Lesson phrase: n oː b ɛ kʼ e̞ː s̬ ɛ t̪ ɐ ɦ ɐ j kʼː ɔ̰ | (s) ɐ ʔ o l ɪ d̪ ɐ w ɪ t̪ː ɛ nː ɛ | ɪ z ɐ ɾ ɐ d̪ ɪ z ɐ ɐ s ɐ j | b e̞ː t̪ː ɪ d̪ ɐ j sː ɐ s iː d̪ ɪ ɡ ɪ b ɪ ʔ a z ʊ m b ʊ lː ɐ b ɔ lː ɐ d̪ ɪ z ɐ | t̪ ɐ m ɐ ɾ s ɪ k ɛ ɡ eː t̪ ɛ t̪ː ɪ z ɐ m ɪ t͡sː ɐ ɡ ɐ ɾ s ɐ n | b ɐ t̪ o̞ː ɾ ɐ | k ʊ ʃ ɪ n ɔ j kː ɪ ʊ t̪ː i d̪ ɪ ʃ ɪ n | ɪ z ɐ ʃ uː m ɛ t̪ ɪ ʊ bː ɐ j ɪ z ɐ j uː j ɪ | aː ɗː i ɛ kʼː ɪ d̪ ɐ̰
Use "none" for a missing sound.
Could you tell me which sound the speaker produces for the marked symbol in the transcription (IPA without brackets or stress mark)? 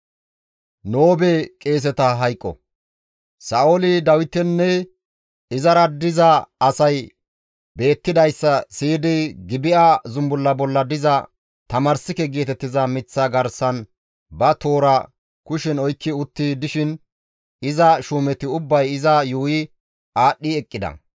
s